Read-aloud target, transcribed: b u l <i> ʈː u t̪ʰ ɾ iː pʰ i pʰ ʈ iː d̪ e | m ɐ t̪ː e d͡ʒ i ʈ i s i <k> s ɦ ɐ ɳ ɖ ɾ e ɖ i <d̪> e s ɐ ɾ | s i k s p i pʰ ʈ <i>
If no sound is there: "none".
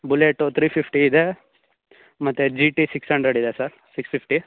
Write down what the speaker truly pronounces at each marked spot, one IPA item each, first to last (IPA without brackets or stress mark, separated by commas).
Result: e, k, d̪, i